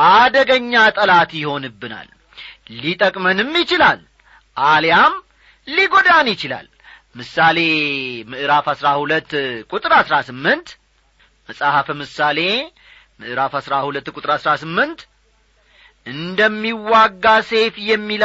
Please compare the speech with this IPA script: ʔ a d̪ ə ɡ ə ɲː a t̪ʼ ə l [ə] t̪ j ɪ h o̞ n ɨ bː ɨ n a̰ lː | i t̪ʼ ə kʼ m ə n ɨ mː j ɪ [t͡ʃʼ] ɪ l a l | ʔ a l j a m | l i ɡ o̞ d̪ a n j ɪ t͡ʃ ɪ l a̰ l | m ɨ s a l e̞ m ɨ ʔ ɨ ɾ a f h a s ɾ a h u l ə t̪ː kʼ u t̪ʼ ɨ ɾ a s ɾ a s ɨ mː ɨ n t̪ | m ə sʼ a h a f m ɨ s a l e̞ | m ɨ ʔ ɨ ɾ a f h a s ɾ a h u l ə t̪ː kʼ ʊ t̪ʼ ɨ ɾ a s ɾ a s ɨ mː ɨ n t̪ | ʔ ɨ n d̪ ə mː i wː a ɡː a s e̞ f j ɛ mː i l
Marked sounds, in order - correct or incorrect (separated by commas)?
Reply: incorrect, incorrect